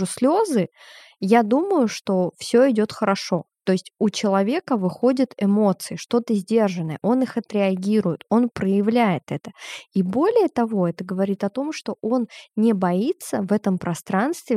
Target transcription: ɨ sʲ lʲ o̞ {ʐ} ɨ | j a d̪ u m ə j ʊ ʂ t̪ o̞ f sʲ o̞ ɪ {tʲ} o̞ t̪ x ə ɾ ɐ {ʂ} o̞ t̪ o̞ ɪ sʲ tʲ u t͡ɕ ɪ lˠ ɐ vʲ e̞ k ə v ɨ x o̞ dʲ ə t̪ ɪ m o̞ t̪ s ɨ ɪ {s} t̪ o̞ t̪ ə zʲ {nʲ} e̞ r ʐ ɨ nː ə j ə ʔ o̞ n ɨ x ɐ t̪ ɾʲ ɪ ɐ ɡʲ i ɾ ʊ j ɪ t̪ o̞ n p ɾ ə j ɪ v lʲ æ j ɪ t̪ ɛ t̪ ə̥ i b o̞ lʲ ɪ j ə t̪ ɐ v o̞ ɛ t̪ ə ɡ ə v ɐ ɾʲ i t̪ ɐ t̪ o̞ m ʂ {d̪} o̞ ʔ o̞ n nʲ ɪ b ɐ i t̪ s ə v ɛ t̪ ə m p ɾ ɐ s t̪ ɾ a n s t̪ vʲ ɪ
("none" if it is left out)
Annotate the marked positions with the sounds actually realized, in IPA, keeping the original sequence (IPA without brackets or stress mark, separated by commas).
z, dʲ, ʂ, ʂ, dʲ, t̪